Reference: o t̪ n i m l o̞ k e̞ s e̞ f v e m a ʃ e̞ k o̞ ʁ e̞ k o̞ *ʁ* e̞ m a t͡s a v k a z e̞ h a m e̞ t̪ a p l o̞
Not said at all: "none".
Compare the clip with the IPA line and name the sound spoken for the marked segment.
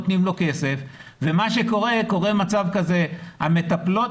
ʁ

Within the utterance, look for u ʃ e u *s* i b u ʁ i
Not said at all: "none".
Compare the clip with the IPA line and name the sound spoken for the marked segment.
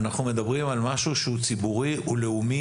t͡s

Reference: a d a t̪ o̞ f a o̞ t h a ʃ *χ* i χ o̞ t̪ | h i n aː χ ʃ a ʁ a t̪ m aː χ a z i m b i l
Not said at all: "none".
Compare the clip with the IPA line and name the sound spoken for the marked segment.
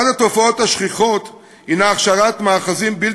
χ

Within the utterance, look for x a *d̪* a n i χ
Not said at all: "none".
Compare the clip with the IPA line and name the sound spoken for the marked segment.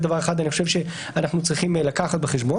d̪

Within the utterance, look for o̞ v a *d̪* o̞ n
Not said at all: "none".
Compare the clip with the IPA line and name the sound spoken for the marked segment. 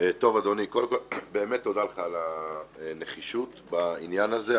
d̪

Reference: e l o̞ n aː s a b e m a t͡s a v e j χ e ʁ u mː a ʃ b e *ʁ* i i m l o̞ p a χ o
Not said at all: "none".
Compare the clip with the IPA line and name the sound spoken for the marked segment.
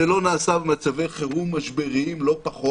ʁ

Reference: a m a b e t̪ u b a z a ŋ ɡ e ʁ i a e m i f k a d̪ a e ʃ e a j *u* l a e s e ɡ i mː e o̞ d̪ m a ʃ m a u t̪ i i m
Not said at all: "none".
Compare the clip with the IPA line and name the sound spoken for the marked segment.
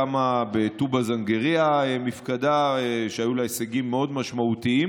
u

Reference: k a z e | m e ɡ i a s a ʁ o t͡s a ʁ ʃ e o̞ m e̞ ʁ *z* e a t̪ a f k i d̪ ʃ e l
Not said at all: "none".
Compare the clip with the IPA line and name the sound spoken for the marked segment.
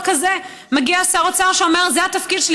z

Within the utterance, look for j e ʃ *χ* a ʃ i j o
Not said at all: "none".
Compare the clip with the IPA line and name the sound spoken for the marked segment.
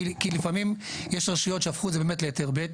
ʁ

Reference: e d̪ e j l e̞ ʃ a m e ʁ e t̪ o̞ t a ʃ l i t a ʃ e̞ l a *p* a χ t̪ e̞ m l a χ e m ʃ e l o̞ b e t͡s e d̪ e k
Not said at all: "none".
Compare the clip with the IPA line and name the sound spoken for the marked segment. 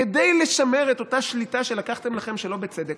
k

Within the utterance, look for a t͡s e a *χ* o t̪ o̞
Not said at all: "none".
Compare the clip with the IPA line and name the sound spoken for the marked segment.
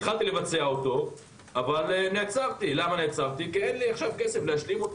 none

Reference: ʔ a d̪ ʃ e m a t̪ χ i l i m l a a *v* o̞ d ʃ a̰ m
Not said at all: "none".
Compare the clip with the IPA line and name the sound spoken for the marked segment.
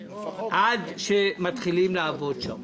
v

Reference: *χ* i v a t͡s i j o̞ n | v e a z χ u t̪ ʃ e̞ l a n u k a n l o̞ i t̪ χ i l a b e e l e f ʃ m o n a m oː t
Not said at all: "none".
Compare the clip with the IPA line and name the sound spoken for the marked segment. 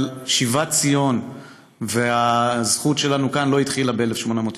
ʃ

